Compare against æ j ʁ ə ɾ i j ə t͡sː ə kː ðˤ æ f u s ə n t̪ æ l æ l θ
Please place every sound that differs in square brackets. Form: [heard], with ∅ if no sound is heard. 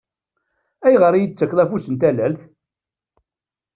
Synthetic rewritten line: æ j ʁ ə ɾ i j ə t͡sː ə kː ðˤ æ f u s ə n t̪ æ l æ l θ